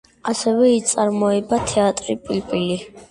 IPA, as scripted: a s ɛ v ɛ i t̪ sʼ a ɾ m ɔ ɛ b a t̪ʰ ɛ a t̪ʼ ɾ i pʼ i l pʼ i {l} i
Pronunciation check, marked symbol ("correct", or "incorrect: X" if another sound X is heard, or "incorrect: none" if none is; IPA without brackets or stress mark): correct